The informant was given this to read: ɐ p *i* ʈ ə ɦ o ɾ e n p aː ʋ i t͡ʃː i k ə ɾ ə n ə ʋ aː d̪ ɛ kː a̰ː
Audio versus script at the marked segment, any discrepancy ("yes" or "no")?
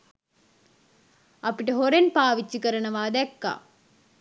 no